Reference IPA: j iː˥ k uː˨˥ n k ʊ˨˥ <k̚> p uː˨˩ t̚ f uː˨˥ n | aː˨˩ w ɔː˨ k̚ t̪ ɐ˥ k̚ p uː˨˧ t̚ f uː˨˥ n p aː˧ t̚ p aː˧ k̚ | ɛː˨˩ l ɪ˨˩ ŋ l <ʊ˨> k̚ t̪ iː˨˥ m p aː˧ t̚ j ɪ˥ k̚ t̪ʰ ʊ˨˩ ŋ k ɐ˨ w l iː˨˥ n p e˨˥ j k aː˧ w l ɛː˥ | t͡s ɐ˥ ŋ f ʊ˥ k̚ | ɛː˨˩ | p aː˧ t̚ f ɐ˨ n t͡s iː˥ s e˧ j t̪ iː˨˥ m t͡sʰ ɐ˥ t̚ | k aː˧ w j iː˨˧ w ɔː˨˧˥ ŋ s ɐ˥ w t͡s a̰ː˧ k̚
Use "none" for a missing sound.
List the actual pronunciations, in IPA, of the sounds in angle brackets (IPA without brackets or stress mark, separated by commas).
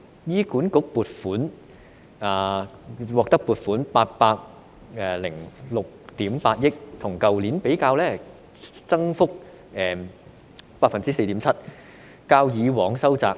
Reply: k̚, ʊ˨